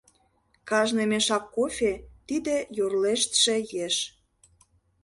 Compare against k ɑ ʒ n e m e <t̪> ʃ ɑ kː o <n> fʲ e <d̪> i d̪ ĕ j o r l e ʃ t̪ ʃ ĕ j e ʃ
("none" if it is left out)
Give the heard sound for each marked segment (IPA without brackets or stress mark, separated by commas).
none, none, t̪